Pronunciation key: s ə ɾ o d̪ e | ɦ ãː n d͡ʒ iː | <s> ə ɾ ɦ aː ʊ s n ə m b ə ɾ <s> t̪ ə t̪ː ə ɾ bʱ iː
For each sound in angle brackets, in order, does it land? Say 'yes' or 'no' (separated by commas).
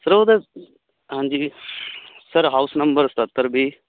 yes, yes